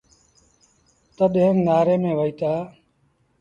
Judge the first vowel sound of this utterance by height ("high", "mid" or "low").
mid